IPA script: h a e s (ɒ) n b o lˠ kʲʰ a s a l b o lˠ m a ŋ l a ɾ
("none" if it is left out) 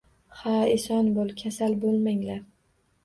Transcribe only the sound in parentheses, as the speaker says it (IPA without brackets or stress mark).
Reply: ɒ